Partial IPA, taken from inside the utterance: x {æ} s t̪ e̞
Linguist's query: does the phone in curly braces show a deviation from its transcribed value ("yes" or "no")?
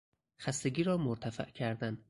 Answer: no